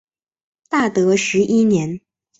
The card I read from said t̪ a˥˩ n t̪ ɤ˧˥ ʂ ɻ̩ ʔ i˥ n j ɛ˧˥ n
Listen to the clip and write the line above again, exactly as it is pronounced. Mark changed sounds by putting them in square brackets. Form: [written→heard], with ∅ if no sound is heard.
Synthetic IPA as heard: t̪ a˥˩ [n→∅] t̪ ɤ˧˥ ʂ ɻ̩ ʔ i˥ n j ɛ˧˥ n